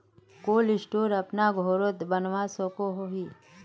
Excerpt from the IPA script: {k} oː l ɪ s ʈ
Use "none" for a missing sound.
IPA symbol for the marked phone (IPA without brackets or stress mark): k